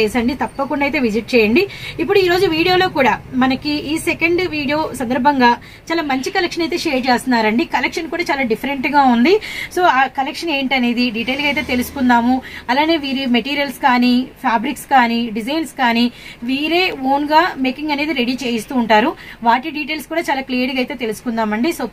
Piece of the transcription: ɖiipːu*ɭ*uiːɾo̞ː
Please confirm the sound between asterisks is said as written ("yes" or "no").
no